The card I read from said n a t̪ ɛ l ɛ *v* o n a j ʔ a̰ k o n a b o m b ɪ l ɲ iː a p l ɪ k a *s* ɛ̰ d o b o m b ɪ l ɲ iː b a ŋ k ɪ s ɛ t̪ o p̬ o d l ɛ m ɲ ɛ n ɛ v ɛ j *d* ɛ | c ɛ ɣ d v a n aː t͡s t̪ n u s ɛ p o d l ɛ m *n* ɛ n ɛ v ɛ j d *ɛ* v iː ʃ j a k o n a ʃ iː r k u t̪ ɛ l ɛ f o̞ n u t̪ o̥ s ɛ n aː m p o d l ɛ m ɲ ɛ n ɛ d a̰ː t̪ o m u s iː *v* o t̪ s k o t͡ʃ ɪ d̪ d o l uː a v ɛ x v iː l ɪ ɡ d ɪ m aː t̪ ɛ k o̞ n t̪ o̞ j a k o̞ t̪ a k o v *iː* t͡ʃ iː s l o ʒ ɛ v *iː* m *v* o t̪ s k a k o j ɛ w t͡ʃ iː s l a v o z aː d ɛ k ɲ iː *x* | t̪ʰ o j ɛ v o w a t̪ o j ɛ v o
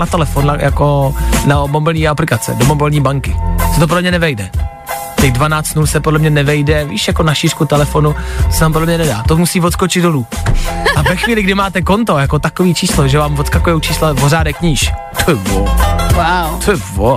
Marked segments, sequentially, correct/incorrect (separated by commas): incorrect, incorrect, correct, incorrect, correct, correct, correct, incorrect, correct, incorrect